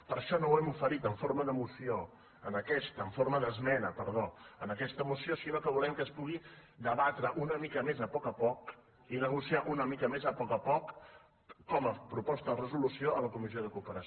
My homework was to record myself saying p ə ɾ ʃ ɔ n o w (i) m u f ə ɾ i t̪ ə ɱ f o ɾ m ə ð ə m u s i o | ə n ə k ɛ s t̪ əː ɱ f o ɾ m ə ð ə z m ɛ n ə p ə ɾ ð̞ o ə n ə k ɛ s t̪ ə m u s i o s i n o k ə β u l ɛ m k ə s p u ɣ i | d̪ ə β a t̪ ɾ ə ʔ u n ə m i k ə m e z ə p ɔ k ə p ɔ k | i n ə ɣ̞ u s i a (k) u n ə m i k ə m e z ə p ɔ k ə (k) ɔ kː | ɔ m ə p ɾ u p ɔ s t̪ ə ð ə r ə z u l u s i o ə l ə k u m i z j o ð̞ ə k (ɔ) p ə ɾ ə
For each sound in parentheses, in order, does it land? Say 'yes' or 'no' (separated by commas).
no, no, no, no